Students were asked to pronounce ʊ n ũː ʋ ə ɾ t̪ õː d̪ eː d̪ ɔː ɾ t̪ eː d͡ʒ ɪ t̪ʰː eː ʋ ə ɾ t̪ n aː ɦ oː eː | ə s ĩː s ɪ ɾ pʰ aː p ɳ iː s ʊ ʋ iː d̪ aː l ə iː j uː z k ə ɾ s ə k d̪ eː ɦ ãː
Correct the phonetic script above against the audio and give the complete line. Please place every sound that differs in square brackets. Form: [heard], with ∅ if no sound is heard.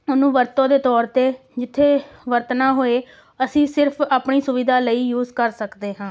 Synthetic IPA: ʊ n ũː ʋ ə ɾ t̪ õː d̪ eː [t̪] ɔː ɾ t̪ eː d͡ʒ ɪ t̪ʰː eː ʋ ə ɾ t̪ n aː ɦ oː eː | ə s ĩː s ɪ ɾ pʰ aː p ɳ iː s ʊ ʋ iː d̪ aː l ə iː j uː z k ə ɾ s ə k d̪ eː ɦ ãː